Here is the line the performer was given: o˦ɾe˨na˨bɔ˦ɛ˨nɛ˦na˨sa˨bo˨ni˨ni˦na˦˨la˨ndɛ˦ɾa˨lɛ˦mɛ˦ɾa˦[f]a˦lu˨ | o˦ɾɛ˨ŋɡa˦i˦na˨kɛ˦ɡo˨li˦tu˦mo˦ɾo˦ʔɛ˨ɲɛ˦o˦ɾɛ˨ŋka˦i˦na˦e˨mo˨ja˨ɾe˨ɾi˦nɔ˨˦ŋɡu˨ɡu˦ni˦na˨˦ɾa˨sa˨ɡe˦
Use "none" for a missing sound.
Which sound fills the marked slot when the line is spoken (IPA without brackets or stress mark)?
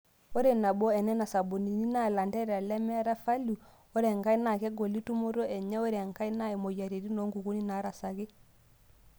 f